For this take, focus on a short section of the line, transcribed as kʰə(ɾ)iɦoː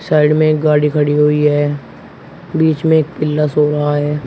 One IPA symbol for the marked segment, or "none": ɽ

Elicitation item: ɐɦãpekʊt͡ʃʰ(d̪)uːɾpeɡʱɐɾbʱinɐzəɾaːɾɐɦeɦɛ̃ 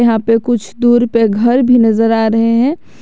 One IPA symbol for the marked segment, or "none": d̪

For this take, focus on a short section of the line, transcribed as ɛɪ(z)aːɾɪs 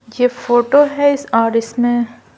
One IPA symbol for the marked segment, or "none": s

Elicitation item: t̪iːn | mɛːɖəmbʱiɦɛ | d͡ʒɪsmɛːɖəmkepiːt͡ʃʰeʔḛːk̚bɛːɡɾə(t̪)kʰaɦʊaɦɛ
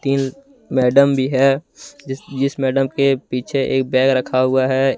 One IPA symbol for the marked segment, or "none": none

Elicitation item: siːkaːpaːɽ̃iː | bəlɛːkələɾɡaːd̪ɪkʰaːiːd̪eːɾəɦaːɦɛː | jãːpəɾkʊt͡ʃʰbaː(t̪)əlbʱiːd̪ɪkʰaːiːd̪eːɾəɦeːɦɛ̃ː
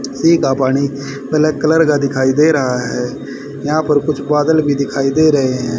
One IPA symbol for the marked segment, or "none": d̪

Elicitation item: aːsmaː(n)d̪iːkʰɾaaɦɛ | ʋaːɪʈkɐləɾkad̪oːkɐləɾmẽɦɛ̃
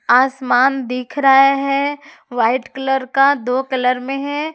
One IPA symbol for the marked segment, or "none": n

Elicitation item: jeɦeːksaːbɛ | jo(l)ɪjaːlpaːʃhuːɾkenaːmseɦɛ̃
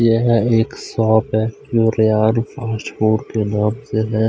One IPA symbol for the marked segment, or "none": ɾ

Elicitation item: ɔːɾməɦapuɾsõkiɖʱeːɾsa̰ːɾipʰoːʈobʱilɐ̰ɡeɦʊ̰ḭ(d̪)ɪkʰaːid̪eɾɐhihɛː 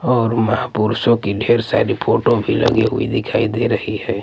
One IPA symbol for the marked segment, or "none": d̪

